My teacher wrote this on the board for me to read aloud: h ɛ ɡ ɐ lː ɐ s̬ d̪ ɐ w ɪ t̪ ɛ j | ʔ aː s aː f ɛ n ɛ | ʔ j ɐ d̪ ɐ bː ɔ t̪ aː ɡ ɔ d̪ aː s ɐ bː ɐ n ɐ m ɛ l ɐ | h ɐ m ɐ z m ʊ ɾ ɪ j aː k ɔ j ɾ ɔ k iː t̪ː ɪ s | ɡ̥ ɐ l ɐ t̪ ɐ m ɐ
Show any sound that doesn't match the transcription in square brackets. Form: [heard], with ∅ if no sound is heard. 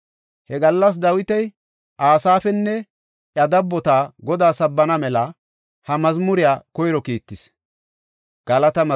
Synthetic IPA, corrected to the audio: h ɛ ɡ ɐ lː ɐ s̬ d̪ ɐ w ɪ t̪ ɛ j | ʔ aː s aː f ɛ [nː] ɛ | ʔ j ɐ d̪ ɐ bː ɔ t̪ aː ɡ ɔ d̪ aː s ɐ bː ɐ n ɐ m ɛ l ɐ | h ɐ m ɐ z m ʊ ɾ ɪ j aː k ɔ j ɾ ɔ k iː t̪ː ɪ s | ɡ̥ ɐ l ɐ t̪ ɐ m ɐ